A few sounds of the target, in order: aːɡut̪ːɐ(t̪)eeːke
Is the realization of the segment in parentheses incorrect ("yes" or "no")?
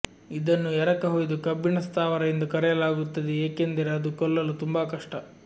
yes